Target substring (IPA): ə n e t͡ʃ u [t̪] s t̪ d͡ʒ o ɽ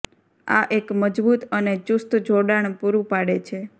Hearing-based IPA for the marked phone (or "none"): none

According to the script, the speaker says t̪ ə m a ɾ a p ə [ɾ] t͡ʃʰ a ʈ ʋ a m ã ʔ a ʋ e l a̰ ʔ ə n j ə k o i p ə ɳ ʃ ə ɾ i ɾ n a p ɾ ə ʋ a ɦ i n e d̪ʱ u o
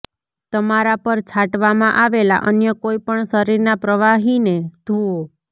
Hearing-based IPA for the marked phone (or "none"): ɾ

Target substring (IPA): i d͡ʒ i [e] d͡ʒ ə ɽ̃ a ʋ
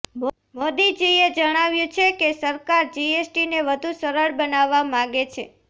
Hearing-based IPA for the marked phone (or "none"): e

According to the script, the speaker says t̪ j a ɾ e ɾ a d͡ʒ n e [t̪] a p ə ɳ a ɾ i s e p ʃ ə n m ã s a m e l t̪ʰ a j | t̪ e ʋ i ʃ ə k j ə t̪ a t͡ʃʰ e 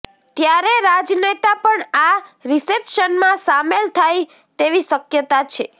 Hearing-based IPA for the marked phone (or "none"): t̪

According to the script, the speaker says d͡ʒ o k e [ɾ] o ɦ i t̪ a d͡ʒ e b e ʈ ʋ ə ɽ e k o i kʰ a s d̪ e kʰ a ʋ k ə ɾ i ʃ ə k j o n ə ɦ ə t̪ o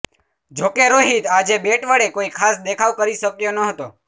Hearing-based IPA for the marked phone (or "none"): ɾ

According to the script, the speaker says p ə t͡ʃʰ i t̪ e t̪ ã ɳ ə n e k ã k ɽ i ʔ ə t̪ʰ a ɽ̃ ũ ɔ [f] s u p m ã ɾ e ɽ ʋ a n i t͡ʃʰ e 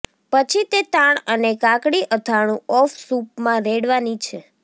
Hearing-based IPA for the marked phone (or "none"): f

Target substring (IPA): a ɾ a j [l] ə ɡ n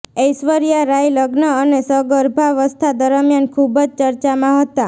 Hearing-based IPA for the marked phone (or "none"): l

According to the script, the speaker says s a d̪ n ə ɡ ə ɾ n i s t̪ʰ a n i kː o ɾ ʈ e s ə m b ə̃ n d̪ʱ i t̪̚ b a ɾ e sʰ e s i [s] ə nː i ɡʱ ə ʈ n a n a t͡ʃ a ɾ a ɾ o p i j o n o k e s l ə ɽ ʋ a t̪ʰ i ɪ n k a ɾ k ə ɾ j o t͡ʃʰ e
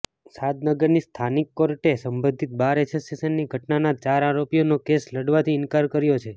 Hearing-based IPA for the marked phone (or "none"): s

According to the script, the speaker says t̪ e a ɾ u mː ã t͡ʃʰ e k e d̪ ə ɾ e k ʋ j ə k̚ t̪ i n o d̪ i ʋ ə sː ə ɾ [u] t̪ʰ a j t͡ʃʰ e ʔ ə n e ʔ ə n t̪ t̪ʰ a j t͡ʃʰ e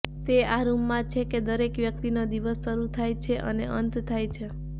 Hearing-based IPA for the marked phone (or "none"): u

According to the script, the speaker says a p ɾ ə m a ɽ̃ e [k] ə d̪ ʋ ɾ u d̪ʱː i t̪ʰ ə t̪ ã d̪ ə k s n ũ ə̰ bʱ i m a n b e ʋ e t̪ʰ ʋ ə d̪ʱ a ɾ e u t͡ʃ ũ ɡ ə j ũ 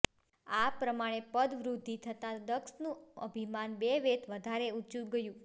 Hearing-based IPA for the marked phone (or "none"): p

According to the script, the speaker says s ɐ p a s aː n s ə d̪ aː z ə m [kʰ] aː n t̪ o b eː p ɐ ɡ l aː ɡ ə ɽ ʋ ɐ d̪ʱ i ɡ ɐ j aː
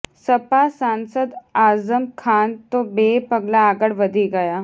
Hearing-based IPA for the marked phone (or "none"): kʰ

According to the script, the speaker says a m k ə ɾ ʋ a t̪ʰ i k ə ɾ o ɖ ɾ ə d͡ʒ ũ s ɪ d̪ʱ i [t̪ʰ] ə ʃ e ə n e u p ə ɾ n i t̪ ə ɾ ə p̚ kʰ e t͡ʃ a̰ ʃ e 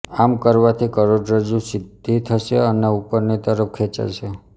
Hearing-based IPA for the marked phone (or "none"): t̪ʰ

